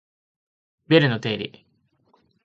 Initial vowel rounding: unrounded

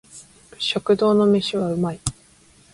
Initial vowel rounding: rounded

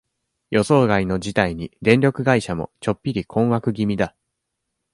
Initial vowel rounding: rounded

